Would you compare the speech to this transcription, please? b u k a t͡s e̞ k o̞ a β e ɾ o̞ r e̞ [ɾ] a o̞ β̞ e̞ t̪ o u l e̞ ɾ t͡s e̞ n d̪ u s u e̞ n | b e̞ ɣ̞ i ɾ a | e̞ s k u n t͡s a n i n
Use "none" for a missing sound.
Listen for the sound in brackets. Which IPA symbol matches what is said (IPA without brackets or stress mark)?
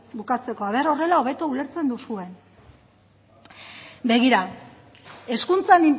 l